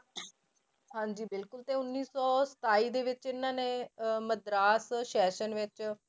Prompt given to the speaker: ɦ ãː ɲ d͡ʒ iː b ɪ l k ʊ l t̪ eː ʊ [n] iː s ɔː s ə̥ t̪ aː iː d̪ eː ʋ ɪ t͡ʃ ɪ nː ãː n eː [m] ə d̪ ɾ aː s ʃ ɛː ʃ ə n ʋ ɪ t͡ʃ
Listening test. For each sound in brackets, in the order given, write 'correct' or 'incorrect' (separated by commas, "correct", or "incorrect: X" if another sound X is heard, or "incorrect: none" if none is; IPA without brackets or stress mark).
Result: incorrect: nː, correct